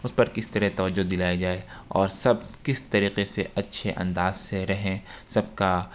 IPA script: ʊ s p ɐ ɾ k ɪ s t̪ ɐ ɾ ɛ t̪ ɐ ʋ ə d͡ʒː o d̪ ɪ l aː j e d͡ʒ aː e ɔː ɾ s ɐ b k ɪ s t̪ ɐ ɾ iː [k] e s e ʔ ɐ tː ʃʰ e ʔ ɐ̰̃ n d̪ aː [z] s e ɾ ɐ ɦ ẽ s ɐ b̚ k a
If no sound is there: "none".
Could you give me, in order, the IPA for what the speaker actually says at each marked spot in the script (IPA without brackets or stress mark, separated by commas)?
q, z